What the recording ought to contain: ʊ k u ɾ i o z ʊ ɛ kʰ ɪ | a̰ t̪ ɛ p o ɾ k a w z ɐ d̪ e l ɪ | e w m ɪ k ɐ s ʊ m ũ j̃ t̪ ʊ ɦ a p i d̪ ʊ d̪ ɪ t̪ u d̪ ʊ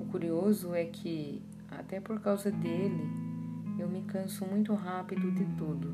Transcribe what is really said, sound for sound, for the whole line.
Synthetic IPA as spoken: ʊ k u ɾ i o z ʊ ɛ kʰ ɪ | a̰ t̪ ɛ p o ɾ k a w z ɐ d̪ e l ɪ | e w m ɪ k ɐ̃ s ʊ m ũ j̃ t̪ ʊ ɦ a p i d̪ ʊ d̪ ɪ t̪ u d̪ ʊ